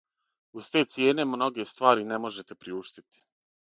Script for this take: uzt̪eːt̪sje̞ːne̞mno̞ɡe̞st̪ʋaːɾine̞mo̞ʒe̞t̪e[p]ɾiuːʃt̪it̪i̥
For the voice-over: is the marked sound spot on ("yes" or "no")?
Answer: yes